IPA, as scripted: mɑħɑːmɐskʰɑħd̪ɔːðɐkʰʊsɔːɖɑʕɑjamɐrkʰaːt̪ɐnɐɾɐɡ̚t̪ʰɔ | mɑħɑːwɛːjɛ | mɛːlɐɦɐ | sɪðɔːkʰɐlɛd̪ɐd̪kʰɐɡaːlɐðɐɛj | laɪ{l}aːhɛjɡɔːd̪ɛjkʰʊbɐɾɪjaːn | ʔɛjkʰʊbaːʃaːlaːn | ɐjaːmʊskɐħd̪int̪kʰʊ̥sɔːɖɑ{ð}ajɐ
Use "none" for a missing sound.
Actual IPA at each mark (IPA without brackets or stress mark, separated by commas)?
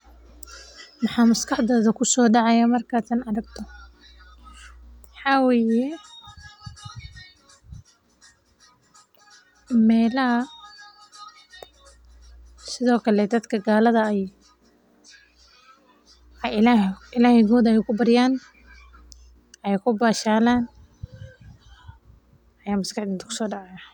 l, ʕ